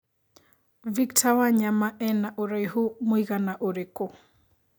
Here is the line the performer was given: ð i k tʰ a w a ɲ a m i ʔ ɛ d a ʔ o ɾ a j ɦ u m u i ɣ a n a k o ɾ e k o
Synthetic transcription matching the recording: v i k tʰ a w a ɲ a m a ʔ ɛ n a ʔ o ɾ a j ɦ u m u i ɣ a n a ʔ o ɾ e k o